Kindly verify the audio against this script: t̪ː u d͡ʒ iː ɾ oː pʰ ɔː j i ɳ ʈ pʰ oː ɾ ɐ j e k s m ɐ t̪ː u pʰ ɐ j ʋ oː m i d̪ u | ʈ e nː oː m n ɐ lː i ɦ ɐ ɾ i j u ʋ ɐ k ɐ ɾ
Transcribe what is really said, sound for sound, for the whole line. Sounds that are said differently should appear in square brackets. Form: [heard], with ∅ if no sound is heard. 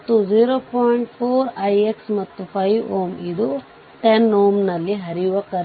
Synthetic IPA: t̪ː u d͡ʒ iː ɾ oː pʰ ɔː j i ɳ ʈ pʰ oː ɾ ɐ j e k s m ɐ t̪ː u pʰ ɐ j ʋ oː m i d̪ u | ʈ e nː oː m n ɐ lː i ɦ ɐ ɾ i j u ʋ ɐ k ɐ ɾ